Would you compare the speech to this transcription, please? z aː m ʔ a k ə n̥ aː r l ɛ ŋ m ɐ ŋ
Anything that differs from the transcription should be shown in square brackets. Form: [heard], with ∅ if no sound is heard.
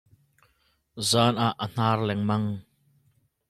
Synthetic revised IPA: z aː [n] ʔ a [ʔ] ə n̥ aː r l ɛ ŋ m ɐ ŋ